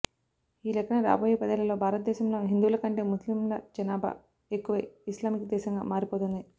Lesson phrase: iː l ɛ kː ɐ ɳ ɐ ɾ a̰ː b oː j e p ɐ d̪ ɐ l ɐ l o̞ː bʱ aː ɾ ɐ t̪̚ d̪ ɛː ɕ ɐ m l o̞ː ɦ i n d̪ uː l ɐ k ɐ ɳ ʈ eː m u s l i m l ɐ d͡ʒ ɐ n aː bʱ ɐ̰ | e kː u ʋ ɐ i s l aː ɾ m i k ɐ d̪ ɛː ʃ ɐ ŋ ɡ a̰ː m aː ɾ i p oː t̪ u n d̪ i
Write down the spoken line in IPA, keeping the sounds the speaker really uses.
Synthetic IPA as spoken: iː l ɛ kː ɐ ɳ ɐ ɾ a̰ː b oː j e p ɐ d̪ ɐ l ɐ l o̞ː bʱ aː ɾ ɐ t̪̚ d̪ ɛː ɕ ɐ m l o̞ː ɦ i n d̪ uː l ɐ k ɐ ɳ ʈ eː m u s l i m l ɐ d͡ʒ ɐ n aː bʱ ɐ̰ | e kː u ʋ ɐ i s l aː m i k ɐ d̪ ɛː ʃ ɐ ŋ ɡ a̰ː m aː ɾ i p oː t̪ u n d̪ i